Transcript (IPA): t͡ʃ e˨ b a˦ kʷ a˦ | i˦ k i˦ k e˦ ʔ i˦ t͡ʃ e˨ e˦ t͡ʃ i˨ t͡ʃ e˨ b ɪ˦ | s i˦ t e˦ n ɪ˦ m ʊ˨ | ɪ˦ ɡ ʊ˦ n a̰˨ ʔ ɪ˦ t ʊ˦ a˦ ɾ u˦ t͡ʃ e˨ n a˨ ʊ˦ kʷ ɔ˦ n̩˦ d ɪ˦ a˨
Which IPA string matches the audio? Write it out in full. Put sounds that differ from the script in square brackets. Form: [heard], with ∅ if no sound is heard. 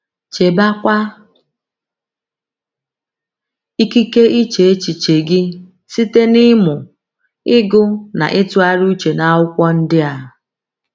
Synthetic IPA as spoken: t͡ʃ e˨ b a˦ kʷ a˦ | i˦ k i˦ k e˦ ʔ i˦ t͡ʃ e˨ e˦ t͡ʃ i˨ t͡ʃ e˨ [ɡ] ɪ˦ | s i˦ t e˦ n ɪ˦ m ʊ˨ | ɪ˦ ɡ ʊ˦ n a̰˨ ʔ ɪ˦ t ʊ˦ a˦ ɾ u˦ t͡ʃ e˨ n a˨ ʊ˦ kʷ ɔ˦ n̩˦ d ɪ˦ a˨